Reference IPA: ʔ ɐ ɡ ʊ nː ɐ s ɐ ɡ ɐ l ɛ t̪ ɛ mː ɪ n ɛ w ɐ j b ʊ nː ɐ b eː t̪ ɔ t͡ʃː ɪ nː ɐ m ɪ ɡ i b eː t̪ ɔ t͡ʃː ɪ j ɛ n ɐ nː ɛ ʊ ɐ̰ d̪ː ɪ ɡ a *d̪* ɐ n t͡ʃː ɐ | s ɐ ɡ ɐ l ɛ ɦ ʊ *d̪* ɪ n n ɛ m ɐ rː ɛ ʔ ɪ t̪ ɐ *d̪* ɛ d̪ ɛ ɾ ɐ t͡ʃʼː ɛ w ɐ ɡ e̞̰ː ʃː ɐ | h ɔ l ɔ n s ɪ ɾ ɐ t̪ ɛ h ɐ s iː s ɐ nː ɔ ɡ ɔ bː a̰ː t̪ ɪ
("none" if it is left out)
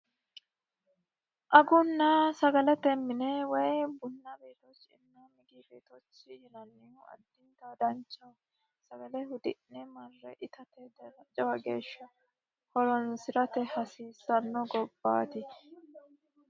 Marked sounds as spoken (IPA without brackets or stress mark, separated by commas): d̪, d̪, t̪